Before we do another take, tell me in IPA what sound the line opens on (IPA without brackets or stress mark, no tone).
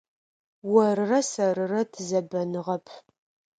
w